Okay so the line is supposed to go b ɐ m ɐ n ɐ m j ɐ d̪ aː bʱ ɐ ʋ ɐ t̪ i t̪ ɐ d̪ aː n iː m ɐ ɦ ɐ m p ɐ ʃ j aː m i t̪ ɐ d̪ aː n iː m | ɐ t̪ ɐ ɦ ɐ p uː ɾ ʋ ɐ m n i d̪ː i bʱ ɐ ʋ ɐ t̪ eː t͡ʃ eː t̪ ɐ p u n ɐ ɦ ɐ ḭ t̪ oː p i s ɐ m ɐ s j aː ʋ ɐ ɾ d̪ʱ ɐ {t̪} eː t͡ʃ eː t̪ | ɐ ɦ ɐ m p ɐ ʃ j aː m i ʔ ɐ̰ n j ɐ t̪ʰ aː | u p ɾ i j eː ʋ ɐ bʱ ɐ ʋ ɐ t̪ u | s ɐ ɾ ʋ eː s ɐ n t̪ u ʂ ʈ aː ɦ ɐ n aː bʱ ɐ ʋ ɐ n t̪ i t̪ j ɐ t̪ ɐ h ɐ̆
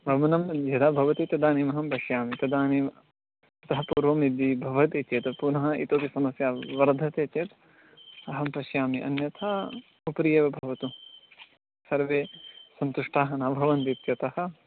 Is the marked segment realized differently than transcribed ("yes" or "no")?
no